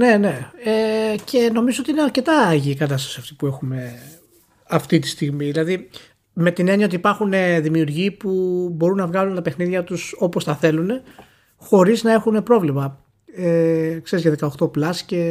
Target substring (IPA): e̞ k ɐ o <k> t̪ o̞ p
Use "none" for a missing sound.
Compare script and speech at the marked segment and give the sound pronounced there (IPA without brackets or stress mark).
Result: x